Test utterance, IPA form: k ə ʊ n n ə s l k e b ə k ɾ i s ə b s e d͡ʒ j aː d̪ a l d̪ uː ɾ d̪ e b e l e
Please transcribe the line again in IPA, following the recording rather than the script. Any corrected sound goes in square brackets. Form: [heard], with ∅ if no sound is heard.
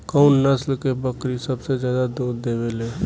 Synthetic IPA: k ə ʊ n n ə s l k e b ə k ɾ i s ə b s e d͡ʒ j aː d̪ a [∅] d̪ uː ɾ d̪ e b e l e